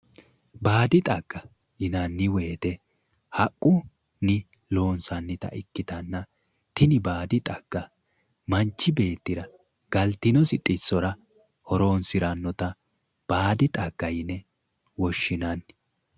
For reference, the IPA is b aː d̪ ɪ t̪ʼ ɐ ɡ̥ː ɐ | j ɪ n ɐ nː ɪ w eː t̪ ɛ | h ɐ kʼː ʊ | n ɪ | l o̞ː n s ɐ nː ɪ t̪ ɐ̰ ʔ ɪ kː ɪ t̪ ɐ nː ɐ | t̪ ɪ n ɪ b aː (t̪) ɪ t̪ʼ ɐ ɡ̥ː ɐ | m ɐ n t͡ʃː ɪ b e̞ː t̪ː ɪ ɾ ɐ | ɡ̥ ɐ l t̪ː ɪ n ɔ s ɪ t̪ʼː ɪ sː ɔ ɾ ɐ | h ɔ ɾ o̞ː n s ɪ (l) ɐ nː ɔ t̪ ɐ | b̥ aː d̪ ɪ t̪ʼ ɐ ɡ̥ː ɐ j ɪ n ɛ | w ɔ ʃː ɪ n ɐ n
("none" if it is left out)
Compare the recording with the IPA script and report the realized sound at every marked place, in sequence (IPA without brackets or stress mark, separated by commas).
d̪, ɾ